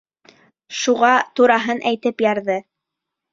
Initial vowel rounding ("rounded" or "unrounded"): rounded